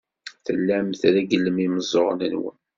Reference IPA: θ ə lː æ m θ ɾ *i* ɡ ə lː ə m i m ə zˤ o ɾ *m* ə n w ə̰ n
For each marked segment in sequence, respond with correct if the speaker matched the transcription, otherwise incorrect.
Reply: incorrect, incorrect

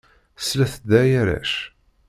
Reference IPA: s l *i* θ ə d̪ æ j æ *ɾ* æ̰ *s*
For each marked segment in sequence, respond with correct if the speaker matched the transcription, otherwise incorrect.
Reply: incorrect, correct, incorrect

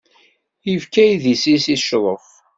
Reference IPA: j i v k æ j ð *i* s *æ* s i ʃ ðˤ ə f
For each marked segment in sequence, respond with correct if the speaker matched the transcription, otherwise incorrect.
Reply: correct, incorrect

